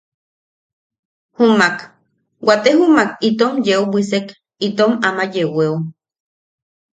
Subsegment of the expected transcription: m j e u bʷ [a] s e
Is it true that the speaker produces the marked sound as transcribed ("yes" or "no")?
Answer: no